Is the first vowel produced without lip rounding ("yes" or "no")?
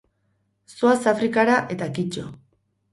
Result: no